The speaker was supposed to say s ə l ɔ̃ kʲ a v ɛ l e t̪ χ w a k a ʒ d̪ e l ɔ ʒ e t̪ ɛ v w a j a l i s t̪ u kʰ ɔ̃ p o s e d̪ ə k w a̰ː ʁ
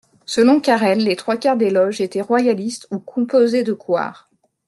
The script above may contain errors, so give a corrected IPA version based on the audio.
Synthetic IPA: s ə l ɔ̃ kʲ a ʁ ɛ lː e t̪ χ w a k a ʁ d̪ e l ɔ ʒ e t̪ ɛ ʁ w a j a l i s t̪ u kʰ ɔ̃ p o z e d̪ ə k w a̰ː ʁ